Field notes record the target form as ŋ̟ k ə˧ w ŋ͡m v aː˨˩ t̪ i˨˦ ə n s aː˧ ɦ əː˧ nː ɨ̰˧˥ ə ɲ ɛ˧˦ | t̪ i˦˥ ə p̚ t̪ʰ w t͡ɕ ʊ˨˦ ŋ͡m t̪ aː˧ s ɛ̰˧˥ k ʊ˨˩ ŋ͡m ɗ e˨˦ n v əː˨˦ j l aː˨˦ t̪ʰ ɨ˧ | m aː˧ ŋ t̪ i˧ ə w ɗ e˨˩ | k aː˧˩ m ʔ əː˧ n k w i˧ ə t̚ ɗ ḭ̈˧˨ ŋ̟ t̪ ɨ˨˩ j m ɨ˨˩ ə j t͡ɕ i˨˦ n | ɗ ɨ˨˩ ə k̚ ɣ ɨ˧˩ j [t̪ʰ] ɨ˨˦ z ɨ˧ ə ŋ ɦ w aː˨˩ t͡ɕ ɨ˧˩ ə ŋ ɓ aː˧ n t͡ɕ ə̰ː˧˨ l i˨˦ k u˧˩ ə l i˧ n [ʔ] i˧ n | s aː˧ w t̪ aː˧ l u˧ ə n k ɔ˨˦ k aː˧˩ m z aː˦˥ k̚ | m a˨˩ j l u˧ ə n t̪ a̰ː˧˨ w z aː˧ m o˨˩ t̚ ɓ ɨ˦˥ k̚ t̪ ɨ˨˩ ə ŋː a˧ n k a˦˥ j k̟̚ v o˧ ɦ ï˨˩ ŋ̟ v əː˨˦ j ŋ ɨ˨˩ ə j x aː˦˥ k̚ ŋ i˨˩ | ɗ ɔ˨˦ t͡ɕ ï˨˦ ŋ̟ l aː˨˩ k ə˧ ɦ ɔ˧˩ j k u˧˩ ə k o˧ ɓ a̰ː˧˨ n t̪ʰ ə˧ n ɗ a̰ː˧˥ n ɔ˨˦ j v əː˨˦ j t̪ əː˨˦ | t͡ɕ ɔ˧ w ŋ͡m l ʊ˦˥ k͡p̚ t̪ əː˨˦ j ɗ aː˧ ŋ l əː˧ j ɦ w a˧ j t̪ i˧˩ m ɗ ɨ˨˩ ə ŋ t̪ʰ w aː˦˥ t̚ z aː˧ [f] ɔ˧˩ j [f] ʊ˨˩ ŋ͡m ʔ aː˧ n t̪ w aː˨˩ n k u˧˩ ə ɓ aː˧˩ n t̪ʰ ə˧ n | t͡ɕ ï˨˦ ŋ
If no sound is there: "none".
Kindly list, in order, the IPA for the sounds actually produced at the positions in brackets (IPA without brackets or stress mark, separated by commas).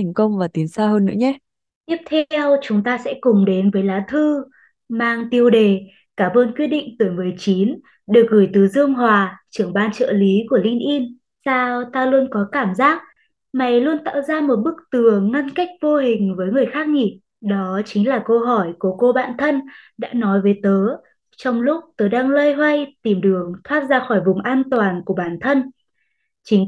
t̪, ʔ, x, v